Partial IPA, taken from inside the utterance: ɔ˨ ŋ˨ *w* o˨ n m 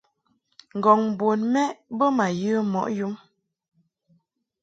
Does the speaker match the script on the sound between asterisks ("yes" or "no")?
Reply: no